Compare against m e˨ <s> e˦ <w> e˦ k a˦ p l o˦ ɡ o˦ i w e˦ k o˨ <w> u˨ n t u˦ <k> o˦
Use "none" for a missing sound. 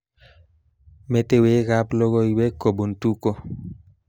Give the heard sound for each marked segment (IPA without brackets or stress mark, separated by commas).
t, w, b, k